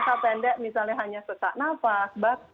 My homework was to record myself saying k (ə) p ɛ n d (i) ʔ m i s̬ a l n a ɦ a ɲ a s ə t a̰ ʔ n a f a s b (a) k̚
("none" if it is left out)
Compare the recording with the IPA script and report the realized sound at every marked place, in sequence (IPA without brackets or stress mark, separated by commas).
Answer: a, ɛ, a